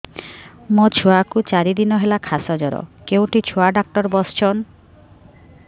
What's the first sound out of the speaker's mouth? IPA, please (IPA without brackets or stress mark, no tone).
m